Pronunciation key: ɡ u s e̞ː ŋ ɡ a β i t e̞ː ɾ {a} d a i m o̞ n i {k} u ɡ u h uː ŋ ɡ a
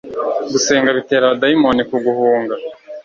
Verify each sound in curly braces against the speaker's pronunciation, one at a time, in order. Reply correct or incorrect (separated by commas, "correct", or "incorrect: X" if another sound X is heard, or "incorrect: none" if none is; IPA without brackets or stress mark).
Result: correct, correct